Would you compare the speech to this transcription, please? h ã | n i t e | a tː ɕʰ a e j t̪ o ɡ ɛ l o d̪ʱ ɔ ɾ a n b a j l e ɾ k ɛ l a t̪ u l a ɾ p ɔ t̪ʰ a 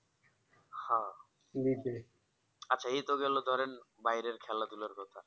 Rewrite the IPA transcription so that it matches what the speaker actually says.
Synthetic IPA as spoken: h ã | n i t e | a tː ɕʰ a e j t̪ o ɡ ɛ l o d̪ʱ ɔ ɾ e n b a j ɾ e ɾ kʰ ɛ l a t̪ u l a ɾ k ɔ t̪ʰ a